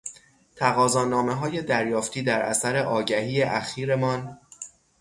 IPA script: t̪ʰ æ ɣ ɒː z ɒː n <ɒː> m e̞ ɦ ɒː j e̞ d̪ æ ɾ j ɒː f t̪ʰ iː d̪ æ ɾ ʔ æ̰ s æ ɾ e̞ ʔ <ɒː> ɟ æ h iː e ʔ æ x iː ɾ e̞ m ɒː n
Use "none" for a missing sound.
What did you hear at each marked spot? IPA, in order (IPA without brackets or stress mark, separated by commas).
ɒː, ɒː